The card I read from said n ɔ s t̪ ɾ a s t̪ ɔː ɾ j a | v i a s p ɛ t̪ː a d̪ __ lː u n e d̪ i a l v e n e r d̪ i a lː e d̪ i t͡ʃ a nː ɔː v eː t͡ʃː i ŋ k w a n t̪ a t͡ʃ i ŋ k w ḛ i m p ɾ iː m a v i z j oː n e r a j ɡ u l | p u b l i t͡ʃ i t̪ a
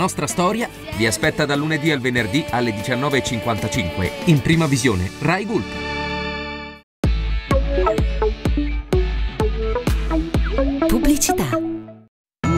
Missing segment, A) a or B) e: A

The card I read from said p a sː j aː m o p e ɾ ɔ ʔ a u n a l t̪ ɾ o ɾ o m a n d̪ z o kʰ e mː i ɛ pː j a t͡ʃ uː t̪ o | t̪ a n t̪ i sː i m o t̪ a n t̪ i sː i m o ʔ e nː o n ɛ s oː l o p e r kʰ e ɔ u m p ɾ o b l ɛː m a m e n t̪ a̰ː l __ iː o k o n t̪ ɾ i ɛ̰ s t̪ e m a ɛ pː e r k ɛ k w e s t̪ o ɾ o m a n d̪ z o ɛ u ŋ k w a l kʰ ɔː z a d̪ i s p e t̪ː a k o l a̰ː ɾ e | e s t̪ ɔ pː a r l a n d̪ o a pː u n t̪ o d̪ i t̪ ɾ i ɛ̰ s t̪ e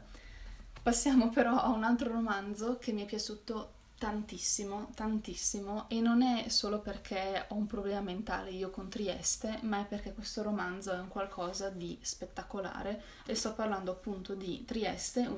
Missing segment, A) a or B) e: B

